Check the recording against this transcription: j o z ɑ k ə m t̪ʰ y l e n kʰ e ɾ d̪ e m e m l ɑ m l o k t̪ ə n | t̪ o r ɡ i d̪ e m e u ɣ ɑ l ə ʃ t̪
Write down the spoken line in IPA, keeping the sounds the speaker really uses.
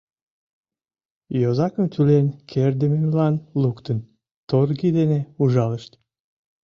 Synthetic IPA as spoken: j o z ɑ k ə m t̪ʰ y l e n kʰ e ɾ d̪ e m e m l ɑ n l u k t̪ ə n | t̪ o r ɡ i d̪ e n e u ʒ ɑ l ə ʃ t̪